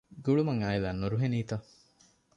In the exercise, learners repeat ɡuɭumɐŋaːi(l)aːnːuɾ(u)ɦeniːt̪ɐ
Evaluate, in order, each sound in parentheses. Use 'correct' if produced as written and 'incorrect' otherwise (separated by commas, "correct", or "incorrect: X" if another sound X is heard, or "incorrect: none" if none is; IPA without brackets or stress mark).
correct, correct